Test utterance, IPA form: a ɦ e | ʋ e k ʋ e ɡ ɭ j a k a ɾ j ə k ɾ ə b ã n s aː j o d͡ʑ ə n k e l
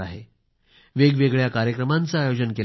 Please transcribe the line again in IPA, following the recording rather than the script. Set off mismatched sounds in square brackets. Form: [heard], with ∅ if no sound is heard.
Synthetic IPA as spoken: a ɦ e | ʋ e [ɡ] ʋ e ɡ ɭ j a k a ɾ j ə k ɾ ə [m] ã n [t͡s] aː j o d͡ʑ ə n k e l